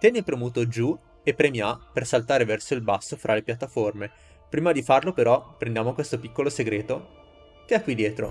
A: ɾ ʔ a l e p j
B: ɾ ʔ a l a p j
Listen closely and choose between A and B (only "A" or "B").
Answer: A